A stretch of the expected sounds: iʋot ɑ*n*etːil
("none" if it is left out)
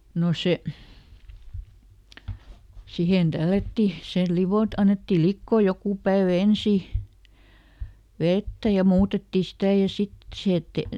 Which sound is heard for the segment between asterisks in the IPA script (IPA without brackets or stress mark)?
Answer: nː